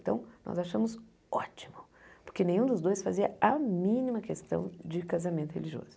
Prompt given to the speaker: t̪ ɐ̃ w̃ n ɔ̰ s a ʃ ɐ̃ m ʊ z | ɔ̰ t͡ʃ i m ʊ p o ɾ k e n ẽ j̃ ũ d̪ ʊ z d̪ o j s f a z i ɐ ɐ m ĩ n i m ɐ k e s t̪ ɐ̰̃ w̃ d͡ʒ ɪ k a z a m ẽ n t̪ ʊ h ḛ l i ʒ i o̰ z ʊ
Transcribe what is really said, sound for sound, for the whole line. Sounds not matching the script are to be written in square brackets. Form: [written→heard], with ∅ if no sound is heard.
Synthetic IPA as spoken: t̪ ɐ̃ w̃ n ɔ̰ [s→z] a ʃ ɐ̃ m ʊ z | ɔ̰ t͡ʃ i m ʊ p o ɾ k e n ẽ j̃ ũ d̪ ʊ z d̪ o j s f a z i ɐ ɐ m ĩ n i m ɐ k e s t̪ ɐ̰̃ w̃ d͡ʒ ɪ k a z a m ẽ n t̪ ʊ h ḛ l i ʒ i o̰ z ʊ